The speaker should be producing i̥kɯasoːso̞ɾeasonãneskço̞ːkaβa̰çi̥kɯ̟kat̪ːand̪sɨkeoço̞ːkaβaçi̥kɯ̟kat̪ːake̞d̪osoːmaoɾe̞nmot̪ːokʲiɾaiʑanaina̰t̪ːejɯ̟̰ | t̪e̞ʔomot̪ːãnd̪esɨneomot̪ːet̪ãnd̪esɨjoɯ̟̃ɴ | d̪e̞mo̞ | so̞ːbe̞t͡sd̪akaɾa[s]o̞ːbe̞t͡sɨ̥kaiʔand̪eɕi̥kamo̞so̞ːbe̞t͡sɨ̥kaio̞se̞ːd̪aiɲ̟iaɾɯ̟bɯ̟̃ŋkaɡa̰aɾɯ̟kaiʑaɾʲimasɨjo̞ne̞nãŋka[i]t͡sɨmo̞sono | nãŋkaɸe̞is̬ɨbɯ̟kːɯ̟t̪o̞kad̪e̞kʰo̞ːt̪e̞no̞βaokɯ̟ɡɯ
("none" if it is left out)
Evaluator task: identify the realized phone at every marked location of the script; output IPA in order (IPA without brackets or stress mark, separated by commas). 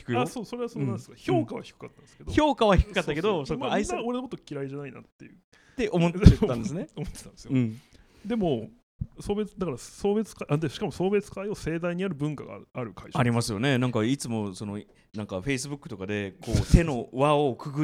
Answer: s, i